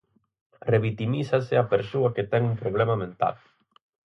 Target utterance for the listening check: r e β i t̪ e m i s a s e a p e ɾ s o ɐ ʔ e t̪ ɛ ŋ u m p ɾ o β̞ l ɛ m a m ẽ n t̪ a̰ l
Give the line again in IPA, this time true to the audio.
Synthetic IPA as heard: r e β i t̪ i m i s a s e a p e ɾ s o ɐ k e t̪ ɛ ŋ u m p ɾ o β̞ l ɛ m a m ẽ n t̪ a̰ l